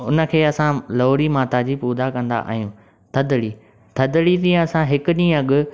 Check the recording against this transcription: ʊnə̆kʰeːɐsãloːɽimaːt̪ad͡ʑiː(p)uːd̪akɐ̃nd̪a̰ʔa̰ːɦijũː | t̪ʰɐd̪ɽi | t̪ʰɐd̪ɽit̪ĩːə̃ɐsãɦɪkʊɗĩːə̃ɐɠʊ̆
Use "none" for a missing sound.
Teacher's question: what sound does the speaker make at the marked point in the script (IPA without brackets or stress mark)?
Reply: p